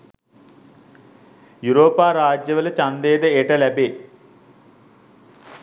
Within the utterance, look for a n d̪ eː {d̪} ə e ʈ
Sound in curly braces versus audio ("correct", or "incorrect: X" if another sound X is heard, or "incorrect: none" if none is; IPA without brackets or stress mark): correct